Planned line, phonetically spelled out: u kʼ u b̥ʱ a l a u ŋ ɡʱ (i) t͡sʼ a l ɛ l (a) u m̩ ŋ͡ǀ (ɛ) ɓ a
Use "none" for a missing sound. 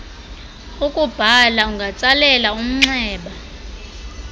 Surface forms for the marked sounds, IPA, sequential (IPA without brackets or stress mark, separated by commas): a, a, ɛː